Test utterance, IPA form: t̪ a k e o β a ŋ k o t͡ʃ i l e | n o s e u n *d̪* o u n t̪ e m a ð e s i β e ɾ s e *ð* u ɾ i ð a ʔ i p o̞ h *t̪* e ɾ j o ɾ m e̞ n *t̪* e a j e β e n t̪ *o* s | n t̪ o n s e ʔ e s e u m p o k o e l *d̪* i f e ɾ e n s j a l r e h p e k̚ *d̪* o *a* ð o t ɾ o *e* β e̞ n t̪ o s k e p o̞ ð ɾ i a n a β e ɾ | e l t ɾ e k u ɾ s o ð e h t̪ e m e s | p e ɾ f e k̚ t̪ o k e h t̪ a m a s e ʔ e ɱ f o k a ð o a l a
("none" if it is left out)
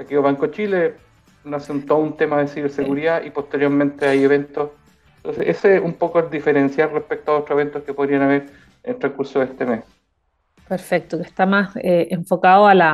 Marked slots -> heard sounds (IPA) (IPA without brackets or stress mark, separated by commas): t̪, ɣ, t̪, t̪, o, d̪, t̪, a, e